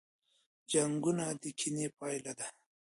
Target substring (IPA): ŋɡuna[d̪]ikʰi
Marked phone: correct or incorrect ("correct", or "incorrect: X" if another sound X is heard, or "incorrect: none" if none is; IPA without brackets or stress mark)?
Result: correct